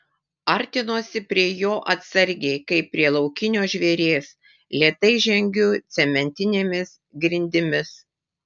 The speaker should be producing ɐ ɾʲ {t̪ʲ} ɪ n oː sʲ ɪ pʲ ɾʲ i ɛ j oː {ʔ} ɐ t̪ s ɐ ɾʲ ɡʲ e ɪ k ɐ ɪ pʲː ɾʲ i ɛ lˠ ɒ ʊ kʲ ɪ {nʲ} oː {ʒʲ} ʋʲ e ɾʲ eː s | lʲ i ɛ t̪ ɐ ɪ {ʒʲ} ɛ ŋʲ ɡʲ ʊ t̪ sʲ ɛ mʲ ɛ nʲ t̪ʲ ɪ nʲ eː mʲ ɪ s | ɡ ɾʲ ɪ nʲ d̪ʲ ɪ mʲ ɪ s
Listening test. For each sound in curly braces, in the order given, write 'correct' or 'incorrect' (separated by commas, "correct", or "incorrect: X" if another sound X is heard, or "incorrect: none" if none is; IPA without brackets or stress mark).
correct, correct, correct, correct, correct